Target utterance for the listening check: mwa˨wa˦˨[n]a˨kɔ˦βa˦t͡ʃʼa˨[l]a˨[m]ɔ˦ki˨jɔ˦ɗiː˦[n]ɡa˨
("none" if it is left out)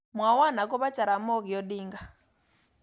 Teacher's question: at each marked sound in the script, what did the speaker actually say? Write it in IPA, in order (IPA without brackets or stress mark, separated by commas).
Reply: n, ɾ, m, ŋ